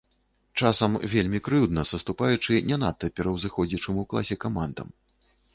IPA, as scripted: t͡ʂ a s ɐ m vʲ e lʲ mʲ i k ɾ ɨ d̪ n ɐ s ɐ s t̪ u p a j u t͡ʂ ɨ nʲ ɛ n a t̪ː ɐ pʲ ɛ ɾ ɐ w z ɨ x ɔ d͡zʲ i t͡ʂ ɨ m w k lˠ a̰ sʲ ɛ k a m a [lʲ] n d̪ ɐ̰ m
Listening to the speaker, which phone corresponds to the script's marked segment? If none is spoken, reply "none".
none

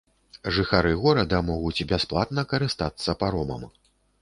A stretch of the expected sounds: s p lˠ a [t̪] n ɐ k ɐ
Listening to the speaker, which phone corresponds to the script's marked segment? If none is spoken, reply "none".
t̪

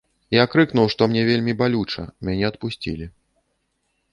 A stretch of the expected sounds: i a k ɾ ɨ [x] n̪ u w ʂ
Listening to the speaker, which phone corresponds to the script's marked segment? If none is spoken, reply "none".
k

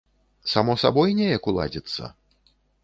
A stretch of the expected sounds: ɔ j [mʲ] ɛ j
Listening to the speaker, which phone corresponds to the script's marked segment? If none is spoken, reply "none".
nʲ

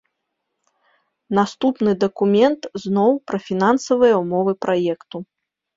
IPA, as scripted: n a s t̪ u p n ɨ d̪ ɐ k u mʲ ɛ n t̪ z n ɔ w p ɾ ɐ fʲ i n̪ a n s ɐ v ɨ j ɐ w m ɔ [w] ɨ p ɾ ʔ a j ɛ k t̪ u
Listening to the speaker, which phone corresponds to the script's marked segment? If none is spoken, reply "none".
v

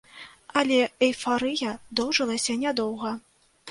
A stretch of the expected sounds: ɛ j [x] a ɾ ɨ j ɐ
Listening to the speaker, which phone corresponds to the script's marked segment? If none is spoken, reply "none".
f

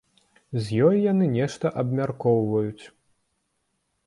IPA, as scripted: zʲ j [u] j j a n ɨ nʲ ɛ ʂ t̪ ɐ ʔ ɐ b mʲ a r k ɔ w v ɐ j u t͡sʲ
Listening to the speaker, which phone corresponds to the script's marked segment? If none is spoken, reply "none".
ɔ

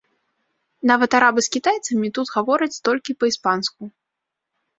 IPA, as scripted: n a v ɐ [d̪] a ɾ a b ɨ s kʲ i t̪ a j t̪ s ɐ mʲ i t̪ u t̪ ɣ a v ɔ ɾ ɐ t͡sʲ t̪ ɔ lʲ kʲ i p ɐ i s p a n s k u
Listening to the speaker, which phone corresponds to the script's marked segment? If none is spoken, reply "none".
t̪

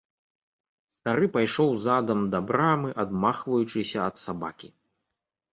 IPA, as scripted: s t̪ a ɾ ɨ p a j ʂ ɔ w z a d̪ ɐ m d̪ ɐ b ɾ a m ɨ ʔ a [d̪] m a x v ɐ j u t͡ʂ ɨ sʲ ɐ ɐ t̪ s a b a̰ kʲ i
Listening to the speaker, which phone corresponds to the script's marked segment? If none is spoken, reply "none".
d̪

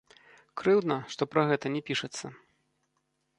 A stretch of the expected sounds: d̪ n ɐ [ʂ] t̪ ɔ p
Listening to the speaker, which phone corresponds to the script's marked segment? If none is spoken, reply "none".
ʂ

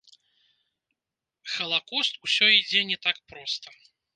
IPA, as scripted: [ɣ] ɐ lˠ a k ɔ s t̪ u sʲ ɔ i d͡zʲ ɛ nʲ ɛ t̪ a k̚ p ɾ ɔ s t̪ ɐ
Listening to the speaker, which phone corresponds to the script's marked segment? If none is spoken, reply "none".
x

